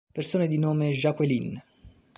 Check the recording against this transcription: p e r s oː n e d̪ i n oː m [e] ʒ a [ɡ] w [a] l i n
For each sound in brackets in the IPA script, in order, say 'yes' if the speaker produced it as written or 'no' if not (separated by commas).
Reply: yes, no, no